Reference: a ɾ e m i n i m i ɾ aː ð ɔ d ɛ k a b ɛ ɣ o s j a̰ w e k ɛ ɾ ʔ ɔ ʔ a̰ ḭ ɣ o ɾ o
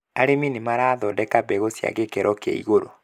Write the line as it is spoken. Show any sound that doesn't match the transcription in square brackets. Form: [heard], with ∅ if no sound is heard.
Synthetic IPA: a ɾ e m i n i m [a] ɾ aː ð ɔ d ɛ k a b ɛ ɣ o s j a̰ [ɣ] e k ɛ ɾ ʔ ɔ [k] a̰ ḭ ɣ o ɾ o

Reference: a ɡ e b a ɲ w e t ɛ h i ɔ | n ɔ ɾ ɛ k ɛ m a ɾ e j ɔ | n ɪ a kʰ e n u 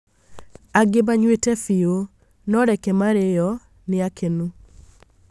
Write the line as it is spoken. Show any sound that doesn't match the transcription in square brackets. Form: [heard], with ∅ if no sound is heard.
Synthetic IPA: a ɡ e b a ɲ w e t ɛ [f] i [o] | n ɔ ɾ ɛ k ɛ m a ɾ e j ɔ | n ɪ a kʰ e n u

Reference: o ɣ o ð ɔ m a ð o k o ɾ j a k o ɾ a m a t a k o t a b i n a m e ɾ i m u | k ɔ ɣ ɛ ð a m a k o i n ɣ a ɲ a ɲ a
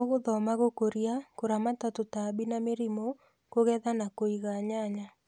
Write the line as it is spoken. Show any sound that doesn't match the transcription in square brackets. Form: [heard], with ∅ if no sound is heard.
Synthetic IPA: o ɣ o ð ɔ m a [ɣ] o k o ɾ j a k o ɾ a m a t a [t] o t a b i n a m e ɾ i m [o] | k [o] ɣ ɛ ð a [n] a k o i [∅] ɣ a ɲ a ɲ a

